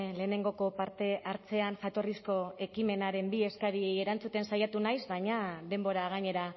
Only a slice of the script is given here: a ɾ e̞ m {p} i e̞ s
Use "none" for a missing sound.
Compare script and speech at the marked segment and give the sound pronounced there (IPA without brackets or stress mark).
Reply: b